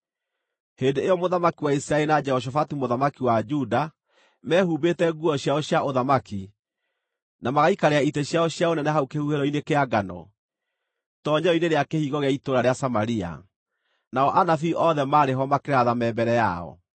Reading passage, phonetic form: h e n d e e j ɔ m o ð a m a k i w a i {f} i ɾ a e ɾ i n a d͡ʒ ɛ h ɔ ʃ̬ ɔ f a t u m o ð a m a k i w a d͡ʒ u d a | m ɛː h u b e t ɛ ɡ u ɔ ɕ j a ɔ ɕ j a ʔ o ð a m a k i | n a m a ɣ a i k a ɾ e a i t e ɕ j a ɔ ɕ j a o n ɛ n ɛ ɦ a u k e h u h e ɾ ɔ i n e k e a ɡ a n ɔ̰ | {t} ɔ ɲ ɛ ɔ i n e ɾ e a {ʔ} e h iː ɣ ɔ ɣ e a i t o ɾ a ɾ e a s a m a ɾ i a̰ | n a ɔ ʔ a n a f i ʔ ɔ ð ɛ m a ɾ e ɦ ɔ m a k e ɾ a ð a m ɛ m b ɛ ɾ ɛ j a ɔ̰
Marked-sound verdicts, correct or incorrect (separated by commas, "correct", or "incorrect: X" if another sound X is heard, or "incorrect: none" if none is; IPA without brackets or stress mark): incorrect: s, correct, incorrect: k